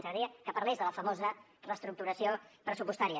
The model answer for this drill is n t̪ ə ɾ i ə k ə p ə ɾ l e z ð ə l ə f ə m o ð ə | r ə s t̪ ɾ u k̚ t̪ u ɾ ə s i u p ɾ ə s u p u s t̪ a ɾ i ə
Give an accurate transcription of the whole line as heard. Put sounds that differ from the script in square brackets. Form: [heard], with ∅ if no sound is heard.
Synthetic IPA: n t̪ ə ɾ i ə k ə p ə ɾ l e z ð ə l ə f ə m o [z] ə | r ə s t̪ ɾ u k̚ t̪ u ɾ ə s i [o] p ɾ ə s u p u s t̪ a ɾ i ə